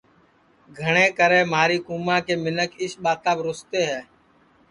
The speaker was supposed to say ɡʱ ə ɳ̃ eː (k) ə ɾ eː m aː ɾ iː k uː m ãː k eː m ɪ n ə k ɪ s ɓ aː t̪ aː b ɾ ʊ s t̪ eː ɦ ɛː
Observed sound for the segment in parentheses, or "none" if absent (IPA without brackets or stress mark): k